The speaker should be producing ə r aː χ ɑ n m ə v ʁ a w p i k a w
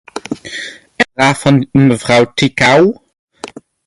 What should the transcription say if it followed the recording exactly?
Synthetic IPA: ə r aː f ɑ n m ə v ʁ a w t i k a w

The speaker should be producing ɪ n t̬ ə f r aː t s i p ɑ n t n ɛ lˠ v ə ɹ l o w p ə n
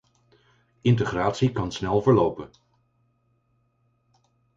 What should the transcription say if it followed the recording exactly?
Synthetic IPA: ɪ n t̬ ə χ r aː t s i k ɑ n s n ɛ lˠ v ə ɹ l o w p ə n

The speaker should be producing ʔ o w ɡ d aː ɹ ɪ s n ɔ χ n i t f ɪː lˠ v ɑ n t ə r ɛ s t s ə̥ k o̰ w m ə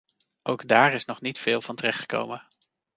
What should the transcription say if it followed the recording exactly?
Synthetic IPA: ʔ o w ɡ d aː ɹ ɪ s n ɔ χ n i t f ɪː lˠ v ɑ n t ə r ɛ χ t χ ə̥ k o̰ w m ə

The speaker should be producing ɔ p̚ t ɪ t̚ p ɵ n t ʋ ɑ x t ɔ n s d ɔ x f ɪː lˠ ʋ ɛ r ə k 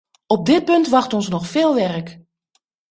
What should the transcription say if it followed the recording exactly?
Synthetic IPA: ɔ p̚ d ɪ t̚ p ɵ n t ʋ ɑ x t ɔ n s n ɔ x f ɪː lˠ ʋ ɛ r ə k

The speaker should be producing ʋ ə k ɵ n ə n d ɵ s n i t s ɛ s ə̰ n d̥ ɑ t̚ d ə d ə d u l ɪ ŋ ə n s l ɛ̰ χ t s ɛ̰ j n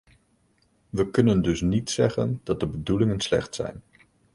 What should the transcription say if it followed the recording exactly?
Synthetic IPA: ʋ ə k ɵ n ə n d ɵ s n i t s ɛ χ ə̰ n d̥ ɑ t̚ d ə b ə d u l ɪ ŋ ə n s l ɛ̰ χ t s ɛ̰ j n

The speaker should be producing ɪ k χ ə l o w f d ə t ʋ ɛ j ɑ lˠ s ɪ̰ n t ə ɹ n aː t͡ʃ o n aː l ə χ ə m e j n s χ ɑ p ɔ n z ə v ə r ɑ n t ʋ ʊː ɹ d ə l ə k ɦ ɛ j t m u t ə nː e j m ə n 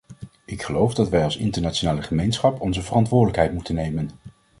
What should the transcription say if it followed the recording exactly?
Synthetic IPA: ɪ k χ ə l o w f d ɑ t ʋ ɛ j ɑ lˠ s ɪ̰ n t ə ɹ n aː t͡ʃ o n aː l ə χ ə m e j n s χ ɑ p ɔ n z ə v ə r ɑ n t ʋ ʊː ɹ d ə l ə k ɦ ɛ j t m u t ə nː e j m ə n

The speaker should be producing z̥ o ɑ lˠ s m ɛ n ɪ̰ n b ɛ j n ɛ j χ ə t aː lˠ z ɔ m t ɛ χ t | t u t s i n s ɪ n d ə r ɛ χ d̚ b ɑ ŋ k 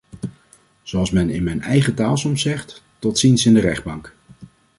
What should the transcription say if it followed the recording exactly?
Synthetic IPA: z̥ o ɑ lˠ s m ɛ n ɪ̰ n m ɛ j n ɛ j χ ə t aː lˠ s ɔ m s ɛ χ t | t ɔ t s i n s ɪ n d ə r ɛ χ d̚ b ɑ ŋ k

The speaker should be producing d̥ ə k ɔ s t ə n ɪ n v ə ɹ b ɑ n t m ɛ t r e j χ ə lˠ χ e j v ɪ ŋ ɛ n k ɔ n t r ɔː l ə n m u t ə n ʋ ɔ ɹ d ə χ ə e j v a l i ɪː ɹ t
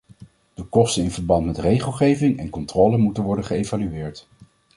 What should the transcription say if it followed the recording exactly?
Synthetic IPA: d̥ ə k ɔ s t ə n ɪ n v ə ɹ b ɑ n t m ɛ t r e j χ ə lˠ χ e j v ɪ ŋ ɛ n k ɔ n t r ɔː l ə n m u t ə n ʋ ɔ ɹ d ə χ ə e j v a l y ɪː ɹ t

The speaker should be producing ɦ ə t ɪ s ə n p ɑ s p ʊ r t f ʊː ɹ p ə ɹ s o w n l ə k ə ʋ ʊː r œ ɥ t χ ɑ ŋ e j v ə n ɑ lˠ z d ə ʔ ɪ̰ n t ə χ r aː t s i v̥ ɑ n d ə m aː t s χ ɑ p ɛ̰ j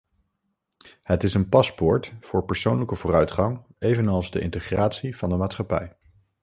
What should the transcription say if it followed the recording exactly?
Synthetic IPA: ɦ ə t ɪ s ə n p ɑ s p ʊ ɹ t f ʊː ɹ p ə ɹ s o w n l ə k ə v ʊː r œ ɥ t χ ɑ ŋ e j v ə n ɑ lˠ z d ə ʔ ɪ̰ n t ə χ r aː t s i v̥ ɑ n d ə m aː t s χ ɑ p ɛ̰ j

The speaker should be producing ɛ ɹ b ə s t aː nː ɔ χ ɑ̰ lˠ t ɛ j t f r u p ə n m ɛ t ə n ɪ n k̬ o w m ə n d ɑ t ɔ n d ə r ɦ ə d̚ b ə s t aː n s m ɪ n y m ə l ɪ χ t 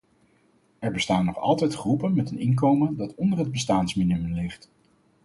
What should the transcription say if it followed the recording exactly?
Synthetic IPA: ɛ ɹ b ə s t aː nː ɔ χ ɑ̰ lˠ t ɛ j t χ r u p ə n m ɛ t ə n ɪ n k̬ o w m ə n d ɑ t ɔ n d ə r ɦ ə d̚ b ə s t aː n s m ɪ n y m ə l ɪ χ t

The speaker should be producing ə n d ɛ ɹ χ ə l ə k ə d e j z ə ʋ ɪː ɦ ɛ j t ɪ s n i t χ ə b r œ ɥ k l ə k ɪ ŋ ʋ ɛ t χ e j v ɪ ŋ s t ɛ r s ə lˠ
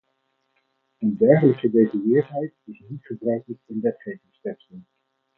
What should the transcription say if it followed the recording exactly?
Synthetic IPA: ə n d ɛ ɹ χ ə l ə k ə d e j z ə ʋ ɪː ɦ ɛ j t ɪ s n i t χ ə b r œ ɥ k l ə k ɪ n ʋ ɛ t χ e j v ɪ ŋ s t ɛ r s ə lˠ

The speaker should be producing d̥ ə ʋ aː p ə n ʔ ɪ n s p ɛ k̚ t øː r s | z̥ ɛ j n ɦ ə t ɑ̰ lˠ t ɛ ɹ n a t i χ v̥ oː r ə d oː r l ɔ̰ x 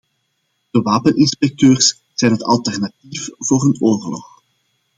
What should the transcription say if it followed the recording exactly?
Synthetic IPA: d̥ ə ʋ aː p ə n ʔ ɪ n s p ɛ k̚ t øː r s | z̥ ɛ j n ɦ ə t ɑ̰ lˠ t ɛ r n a t i f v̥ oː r ə n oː r l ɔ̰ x

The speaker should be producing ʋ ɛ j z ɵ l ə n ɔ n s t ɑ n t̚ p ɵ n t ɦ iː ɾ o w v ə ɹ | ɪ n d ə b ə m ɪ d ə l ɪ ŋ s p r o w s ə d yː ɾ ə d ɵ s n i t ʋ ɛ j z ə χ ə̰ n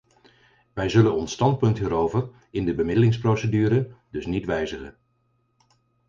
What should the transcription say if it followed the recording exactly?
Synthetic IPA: ʋ ɛ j z ɵ l ə n ɔ n s t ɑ n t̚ p ɵ n t ɦ iː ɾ o w v ə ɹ | ɪ n d ə b ə m ɪ d ə l ɪ ŋ s p r o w s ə d yː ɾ ə d ɵ s n i t ʋ ɛ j z ə χ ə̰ n

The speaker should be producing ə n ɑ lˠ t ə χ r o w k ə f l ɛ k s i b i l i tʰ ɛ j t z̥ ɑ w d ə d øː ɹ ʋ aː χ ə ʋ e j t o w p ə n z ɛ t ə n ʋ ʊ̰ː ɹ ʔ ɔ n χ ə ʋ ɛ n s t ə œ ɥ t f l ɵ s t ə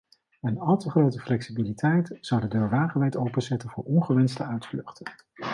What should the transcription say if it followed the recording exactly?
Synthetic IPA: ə n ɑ lˠ t ə χ r o w t ə f l ɛ k s i b i l i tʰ ɛ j t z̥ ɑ w d ə d øː ɹ ʋ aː χ ə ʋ ɛ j t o w p ə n z ɛ t ə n v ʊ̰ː ɹ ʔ ɔ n χ ə ʋ ɛ n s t ə œ ɥ t f l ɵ χ t ə

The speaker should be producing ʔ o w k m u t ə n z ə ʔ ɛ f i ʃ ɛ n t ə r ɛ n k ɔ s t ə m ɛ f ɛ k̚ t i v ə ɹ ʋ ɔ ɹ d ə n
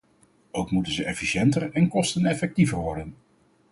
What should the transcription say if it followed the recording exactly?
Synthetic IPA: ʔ o w k m u t ə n z ə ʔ ɛ f i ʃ ɛ n t ə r ɛ n k ɔ s t ə n ɛ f ɛ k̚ t i v ə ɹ ʋ ɔ ɹ d ə n

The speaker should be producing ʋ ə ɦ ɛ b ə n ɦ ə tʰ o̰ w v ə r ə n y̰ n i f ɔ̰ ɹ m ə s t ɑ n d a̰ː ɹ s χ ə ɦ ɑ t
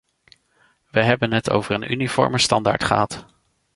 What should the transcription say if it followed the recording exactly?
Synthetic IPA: ʋ ə ɦ ɛ b ə n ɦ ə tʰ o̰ w v ə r ə n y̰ n i f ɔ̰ ɹ m ə s t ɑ n d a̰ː ɹ t χ ə ɦ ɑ t

